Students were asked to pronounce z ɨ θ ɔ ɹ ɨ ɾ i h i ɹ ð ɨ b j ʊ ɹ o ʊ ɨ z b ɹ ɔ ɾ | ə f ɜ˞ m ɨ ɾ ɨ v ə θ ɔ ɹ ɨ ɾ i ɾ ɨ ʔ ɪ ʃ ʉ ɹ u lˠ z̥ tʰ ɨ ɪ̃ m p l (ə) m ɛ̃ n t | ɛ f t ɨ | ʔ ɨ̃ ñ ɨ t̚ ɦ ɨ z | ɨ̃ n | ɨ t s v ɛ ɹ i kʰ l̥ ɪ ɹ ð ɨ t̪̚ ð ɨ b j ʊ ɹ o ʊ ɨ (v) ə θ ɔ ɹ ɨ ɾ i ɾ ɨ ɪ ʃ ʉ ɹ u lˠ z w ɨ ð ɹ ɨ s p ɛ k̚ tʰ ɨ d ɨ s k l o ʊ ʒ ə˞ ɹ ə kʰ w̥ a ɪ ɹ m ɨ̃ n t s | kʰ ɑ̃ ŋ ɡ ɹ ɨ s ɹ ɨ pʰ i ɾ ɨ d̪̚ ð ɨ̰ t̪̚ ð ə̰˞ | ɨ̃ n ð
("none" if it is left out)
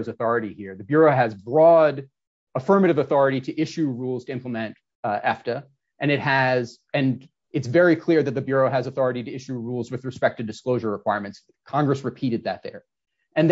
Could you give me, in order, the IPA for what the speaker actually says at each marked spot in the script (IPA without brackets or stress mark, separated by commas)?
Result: ə, z